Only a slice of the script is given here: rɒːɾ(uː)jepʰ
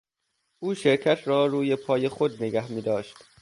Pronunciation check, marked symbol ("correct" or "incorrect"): correct